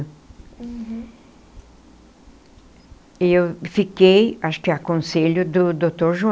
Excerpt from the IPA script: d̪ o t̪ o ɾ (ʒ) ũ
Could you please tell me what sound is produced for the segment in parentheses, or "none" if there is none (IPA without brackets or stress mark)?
ʒ